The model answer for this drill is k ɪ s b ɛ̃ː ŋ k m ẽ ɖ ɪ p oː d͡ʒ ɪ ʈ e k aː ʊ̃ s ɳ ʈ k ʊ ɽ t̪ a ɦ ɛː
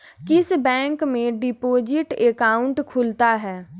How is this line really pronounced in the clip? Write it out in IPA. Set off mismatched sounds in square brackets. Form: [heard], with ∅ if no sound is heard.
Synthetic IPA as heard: k ɪ s b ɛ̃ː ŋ k m ẽ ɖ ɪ p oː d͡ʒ ɪ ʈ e k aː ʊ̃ [∅] ɳ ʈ [kʰ] ʊ [l] t̪ a ɦ ɛː